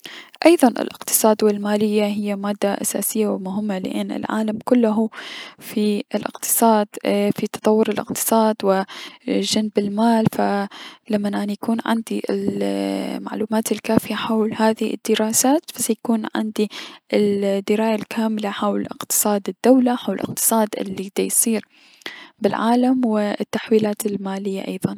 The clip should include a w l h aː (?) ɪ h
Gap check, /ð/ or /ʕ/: ð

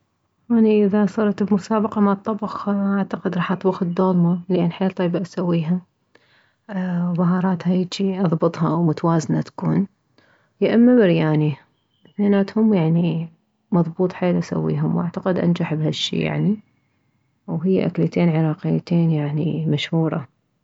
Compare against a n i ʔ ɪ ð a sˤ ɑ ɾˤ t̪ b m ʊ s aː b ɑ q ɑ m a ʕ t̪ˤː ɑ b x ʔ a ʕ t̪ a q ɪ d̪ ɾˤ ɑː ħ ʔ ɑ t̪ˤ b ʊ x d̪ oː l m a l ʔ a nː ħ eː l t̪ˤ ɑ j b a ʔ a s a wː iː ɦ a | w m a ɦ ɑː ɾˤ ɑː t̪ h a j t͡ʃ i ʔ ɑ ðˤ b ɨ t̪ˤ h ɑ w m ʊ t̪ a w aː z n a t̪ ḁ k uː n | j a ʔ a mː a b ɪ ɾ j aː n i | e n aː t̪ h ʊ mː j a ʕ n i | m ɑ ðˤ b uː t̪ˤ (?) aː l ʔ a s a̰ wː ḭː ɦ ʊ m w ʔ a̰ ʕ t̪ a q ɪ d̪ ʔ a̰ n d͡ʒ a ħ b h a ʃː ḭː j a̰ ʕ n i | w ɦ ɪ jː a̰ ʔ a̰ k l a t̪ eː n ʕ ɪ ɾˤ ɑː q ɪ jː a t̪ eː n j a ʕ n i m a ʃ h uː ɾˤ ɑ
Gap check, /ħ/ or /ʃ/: ħ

